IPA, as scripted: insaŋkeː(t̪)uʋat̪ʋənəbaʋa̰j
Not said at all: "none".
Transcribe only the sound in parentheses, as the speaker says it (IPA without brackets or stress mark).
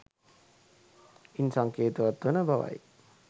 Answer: t̪